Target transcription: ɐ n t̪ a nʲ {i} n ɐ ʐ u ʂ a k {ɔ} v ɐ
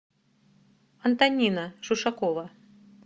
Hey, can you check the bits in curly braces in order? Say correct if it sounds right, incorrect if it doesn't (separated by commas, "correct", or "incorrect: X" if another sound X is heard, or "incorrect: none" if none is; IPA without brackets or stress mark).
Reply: correct, correct